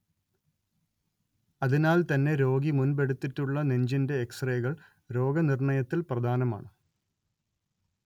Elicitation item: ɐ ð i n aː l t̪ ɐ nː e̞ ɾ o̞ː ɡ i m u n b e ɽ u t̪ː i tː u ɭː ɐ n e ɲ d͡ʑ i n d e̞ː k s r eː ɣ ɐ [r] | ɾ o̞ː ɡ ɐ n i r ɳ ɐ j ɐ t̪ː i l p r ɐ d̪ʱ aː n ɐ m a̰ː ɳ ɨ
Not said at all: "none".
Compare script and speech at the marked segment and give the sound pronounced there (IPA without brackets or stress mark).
ɭ